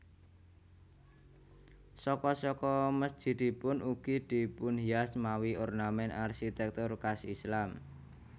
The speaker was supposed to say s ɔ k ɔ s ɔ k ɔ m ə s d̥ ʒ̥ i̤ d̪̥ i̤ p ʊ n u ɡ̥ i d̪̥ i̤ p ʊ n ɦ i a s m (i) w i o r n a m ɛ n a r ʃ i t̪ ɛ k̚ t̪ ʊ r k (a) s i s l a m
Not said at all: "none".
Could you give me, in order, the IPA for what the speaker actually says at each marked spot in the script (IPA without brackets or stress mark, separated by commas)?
a, a